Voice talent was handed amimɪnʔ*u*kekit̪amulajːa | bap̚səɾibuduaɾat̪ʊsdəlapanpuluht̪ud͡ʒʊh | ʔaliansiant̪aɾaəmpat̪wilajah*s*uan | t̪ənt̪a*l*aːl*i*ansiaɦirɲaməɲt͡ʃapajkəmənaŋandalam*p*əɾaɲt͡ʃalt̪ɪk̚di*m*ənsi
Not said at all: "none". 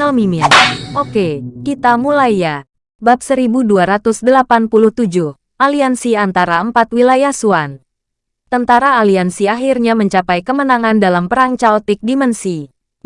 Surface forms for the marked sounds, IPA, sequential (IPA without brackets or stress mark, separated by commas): o, s, ɾ, i, p, m